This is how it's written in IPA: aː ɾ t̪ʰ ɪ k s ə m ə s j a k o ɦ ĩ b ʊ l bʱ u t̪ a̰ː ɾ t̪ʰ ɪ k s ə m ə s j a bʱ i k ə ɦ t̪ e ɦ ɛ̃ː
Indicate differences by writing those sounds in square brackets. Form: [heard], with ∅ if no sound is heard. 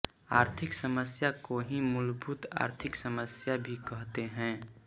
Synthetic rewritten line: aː ɾ t̪ʰ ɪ k s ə m ə s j a k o ɦ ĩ [m] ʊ l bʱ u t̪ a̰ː ɾ t̪ʰ ɪ k s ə m ə s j a bʱ i k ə ɦ t̪ e ɦ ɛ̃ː